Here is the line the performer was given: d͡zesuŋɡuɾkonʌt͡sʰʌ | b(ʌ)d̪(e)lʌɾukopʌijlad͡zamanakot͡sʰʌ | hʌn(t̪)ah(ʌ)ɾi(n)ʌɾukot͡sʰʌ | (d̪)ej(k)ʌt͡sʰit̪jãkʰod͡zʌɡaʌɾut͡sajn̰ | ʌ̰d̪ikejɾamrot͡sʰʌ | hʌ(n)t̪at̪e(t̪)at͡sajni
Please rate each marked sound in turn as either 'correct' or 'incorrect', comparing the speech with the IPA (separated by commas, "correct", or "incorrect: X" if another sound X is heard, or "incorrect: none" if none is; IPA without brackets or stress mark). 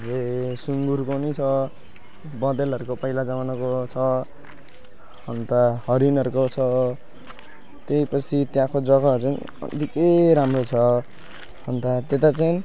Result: correct, correct, correct, correct, correct, incorrect: t̪, incorrect: p, correct, correct